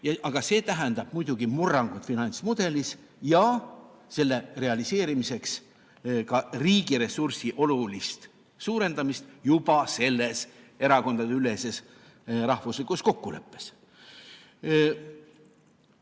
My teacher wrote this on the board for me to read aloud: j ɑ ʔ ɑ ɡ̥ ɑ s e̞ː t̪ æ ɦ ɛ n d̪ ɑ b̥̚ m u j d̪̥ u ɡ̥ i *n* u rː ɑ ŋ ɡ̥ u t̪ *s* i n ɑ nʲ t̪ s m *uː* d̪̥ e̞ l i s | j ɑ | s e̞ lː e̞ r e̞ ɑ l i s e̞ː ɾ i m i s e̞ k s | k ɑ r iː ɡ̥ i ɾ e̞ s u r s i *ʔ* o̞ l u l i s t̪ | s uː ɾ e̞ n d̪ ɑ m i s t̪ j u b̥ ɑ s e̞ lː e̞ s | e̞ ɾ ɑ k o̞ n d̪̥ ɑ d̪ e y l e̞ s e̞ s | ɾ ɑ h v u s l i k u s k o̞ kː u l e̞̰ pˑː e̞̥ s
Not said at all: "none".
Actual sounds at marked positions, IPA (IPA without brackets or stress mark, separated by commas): m, f, u, ʔ